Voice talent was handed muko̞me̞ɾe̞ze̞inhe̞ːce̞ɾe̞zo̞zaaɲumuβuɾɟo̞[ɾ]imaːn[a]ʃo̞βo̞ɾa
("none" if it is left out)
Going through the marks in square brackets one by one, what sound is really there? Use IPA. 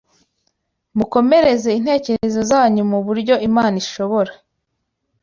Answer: none, i

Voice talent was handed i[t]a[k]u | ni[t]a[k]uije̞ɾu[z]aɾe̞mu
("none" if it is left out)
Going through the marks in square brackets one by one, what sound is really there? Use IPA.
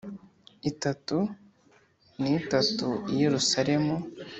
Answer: t, t, t, t, s

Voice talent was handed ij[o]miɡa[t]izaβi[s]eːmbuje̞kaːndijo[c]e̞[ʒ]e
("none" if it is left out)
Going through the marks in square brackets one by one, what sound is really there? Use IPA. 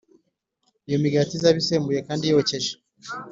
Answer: o, t, s, c, ʒ

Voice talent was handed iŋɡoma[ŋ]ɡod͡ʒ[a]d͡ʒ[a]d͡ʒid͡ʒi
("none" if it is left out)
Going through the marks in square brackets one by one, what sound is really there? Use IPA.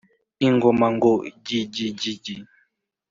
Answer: ŋ, i, i

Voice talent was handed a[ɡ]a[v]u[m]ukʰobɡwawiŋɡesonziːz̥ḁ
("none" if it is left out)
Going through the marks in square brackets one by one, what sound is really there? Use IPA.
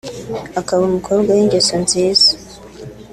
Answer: k, β, m

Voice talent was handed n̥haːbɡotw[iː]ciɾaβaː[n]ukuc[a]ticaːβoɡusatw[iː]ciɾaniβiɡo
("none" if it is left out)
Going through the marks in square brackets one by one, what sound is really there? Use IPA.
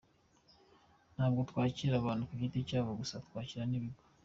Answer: aː, n, i, aː

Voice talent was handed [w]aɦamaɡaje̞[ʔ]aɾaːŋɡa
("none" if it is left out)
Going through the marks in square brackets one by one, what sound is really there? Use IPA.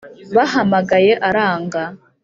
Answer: β, ʔ

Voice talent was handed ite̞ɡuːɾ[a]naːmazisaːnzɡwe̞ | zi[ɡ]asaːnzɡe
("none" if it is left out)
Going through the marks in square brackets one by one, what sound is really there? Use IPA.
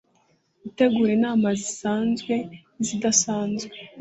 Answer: e, d

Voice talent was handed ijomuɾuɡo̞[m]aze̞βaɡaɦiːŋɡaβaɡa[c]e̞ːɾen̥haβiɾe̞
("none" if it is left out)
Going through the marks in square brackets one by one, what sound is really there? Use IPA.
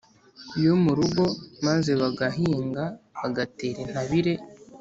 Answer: m, t

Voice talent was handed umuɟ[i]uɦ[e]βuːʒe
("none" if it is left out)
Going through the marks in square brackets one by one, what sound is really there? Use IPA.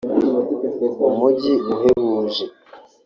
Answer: i, e

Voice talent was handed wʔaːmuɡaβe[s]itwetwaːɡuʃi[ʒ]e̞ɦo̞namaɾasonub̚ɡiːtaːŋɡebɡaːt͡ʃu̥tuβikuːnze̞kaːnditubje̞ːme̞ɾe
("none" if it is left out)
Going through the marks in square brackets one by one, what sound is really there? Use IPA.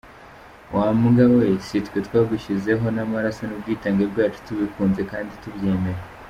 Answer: s, z

